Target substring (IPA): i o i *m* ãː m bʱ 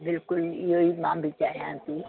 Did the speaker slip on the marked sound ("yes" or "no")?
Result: no